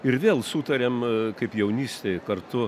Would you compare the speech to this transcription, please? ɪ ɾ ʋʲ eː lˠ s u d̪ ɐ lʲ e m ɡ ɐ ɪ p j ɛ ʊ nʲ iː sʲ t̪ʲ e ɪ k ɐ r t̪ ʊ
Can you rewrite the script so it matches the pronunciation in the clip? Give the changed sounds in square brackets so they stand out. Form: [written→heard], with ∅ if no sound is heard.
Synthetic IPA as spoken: ɪ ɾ ʋʲ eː lˠ s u [d̪→t̪] ɐ [lʲ→ɾʲ] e m [ɡ→k] ɐ ɪ p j ɛ ʊ nʲ iː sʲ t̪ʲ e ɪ k ɐ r t̪ ʊ